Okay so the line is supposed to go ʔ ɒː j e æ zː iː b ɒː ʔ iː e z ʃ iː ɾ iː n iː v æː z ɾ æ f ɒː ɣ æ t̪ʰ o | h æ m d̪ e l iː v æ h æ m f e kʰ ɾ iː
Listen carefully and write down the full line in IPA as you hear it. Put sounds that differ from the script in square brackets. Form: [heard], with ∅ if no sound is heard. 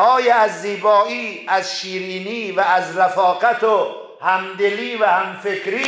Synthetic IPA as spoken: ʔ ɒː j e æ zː iː b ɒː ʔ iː [æ] z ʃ iː ɾ iː n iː v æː z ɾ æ f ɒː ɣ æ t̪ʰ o | h æ m d̪ e l iː v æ h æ m f e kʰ ɾ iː